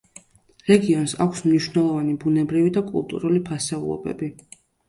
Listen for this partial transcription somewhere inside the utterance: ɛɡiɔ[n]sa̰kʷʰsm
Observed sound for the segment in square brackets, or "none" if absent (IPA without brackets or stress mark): n